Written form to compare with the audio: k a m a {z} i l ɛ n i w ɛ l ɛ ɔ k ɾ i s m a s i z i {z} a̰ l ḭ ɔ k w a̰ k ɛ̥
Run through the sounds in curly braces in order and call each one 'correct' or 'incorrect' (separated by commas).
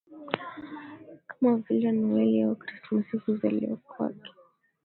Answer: incorrect, correct